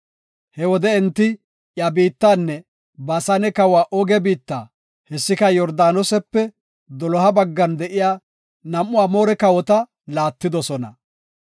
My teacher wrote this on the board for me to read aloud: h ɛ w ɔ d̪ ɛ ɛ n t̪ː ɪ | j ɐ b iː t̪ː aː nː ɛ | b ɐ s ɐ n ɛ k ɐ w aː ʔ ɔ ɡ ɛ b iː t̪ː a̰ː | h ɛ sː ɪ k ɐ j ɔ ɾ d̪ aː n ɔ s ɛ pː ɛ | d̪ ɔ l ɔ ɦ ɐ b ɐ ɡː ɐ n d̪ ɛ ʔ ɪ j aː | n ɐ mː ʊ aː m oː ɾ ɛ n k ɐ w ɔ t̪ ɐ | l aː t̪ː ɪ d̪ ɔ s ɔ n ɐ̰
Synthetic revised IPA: h ɛ w ɔ d̪ ɛ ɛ n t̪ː ɪ | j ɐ b iː t̪ː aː nː ɛ | b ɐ s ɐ n ɛ k ɐ w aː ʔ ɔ ɡ ɛ b iː t̪ː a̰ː | h ɛ sː ɪ k ɐ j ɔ ɾ d̪ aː n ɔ s ɛ pː ɛ | d̪ ɔ l ɔ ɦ ɐ b ɐ ɡː ɐ n d̪ ɛ ʔ ɪ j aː | n ɐ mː ʊ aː m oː ɾ ɛ k ɐ w ɔ t̪ ɐ | l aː t̪ː ɪ d̪ ɔ s ɔ n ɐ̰